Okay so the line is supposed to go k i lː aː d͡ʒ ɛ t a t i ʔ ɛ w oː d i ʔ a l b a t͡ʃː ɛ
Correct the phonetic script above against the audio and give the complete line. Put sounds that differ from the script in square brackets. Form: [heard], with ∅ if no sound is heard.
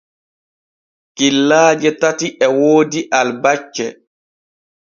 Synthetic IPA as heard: k i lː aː d͡ʒ ɛ t a t i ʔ ɛ w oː d i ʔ a l b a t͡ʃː ɛ